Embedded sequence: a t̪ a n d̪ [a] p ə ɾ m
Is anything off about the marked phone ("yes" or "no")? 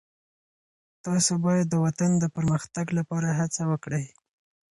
yes